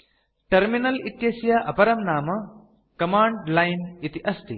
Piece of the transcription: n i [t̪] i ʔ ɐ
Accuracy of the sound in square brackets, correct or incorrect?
correct